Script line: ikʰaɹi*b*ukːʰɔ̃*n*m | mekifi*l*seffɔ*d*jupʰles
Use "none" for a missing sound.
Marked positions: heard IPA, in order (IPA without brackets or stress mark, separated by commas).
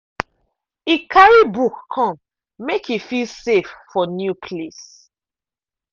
b, none, l, n